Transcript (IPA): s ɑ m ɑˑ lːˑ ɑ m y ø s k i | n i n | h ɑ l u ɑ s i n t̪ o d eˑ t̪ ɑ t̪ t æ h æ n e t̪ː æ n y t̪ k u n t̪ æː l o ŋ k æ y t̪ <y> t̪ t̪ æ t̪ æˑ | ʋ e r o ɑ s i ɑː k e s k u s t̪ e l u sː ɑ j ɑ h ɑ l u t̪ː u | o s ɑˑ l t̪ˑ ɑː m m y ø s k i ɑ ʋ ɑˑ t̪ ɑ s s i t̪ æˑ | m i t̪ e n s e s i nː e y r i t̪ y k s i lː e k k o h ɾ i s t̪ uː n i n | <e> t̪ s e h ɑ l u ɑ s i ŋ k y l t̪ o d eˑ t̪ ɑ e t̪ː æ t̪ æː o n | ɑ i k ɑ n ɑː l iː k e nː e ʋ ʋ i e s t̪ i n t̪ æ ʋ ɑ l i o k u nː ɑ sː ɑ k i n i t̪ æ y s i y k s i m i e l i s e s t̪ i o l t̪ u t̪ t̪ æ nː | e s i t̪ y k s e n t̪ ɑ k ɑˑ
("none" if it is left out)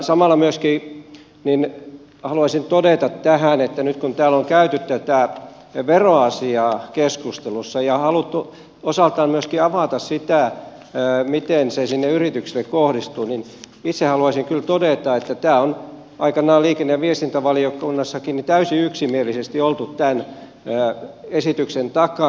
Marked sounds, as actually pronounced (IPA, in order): y, i

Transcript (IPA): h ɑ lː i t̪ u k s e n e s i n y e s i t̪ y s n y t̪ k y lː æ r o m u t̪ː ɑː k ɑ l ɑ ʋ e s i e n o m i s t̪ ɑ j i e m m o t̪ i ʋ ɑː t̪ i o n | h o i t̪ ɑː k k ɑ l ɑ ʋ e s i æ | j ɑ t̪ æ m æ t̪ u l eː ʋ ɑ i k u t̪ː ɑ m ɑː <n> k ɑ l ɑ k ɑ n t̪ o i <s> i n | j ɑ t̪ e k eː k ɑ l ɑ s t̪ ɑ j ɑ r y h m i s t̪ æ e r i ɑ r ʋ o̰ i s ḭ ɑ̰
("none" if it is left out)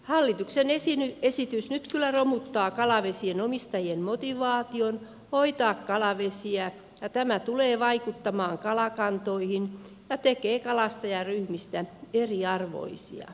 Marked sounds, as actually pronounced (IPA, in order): ŋ, h

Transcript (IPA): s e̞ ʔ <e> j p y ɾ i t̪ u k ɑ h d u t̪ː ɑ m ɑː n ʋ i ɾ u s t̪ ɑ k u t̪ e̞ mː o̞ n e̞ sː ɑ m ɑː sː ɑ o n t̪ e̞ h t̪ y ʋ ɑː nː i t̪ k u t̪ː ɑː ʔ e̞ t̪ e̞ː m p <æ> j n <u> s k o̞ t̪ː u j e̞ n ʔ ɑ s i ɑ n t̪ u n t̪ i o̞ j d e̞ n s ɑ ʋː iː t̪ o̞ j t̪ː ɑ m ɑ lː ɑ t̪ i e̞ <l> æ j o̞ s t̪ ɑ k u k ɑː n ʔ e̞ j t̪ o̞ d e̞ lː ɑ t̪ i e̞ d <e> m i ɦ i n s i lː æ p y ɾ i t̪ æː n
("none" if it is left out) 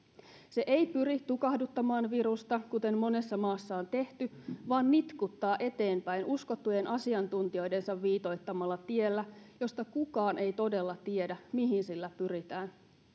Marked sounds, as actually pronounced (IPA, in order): e, æ, u, lː, æ

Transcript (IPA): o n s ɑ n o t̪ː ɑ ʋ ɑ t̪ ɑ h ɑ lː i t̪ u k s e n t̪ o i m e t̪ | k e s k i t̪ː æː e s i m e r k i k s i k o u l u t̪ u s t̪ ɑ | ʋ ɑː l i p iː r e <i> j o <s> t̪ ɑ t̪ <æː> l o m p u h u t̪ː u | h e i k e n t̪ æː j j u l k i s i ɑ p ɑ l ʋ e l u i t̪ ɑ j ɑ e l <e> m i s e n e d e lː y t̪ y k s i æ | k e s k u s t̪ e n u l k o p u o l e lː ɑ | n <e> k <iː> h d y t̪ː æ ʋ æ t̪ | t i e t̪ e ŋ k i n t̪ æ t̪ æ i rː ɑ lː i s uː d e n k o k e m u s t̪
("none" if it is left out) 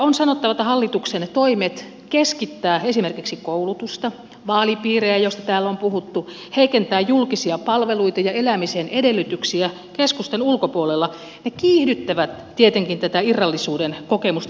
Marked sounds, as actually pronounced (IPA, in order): æ, s, æː, æ, e, iː

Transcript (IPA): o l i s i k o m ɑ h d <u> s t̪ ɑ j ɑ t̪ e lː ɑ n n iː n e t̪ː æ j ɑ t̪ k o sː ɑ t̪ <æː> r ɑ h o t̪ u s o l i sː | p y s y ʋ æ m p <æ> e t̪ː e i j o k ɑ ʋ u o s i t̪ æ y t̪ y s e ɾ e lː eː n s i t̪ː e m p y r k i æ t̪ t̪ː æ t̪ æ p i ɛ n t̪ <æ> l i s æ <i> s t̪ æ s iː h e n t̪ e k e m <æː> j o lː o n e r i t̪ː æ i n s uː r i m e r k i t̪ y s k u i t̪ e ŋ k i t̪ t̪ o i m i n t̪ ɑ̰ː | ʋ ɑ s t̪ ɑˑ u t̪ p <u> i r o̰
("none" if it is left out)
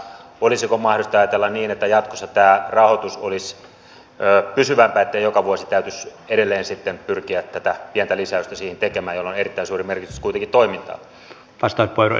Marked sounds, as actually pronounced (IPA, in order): o, æː, æ, æ, y, æː, o

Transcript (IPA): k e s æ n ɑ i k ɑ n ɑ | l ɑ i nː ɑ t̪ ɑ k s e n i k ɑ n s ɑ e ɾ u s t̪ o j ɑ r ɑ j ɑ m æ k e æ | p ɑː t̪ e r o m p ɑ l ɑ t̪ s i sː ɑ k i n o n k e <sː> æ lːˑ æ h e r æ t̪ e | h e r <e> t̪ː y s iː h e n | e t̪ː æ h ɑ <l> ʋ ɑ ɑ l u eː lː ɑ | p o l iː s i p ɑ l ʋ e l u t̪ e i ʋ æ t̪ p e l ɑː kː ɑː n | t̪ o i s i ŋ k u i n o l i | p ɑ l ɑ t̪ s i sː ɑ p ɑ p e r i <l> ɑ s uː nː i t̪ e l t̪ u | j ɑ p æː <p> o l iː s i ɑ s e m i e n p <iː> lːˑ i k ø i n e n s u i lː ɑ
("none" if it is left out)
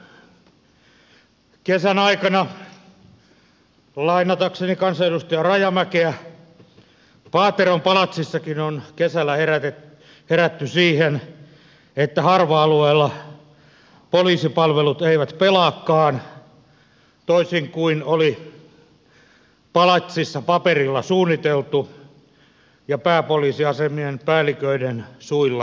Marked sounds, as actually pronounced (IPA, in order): s, æ, r, lː, p, æː

